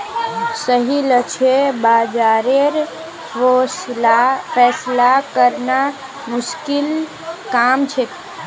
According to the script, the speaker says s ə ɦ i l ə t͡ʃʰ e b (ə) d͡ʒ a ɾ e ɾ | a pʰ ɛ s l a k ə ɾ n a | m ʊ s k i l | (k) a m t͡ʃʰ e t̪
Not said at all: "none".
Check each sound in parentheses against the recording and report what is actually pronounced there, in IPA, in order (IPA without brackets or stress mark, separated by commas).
a, k